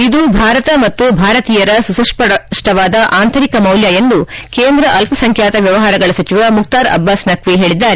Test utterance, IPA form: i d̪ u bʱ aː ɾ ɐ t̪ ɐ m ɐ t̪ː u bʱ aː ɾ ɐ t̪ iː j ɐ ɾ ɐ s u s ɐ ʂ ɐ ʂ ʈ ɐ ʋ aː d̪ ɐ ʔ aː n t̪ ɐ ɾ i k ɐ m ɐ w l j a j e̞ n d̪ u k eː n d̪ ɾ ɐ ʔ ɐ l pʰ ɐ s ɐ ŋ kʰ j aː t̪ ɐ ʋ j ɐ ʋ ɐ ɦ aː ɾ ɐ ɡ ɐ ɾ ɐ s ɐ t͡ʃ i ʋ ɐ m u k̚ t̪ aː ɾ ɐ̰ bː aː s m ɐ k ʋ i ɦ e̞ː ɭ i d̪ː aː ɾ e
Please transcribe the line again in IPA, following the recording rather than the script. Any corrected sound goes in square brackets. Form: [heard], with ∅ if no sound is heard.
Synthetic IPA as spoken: i d̪ u bʱ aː ɾ ɐ t̪ ɐ m ɐ t̪ː u bʱ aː ɾ ɐ t̪ iː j ɐ ɾ ɐ s u s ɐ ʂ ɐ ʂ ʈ ɐ ʋ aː d̪ ɐ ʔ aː n t̪ ɐ ɾ i k ɐ m ɐ w l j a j e̞ n d̪ u k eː n d̪ ɾ ɐ ʔ ɐ l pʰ ɐ s ɐ ŋ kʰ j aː t̪ ɐ ʋ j ɐ ʋ ɐ ɦ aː ɾ ɐ ɡ ɐ [ɭ] ɐ s ɐ t͡ʃ i ʋ ɐ m u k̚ t̪ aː ɾ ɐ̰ bː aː s [n] ɐ k ʋ i ɦ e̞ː ɭ i d̪ː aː ɾ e